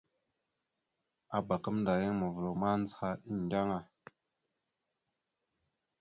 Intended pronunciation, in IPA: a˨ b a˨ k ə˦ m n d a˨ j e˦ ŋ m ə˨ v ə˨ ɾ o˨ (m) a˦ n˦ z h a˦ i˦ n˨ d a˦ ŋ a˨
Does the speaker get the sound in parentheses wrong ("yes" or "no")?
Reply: no